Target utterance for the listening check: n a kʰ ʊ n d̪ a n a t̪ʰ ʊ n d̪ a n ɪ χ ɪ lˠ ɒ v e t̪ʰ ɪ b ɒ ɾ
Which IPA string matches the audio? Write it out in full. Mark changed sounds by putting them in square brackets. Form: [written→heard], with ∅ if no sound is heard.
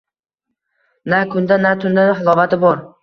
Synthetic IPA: n a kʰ ʊ n d̪ a n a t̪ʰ ʊ n d̪ a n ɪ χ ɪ lˠ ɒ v [e→a] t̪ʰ ɪ b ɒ ɾ